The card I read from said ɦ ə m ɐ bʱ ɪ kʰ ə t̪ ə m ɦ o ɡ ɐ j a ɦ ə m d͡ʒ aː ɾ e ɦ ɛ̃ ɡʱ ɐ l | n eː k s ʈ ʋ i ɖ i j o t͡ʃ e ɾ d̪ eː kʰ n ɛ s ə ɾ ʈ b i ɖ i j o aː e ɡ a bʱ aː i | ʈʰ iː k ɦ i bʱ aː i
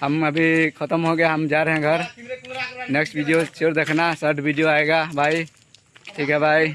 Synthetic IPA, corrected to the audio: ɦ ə m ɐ bʱ i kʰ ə t̪ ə m ɦ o ɡ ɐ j a ɦ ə m d͡ʒ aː ɾ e ɦ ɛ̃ ɡʱ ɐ ɾ | n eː k s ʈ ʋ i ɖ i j o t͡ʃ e ɾ d̪ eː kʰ n a s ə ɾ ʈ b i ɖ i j o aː e ɡ a bʱ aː i | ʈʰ iː k ɦ ɛ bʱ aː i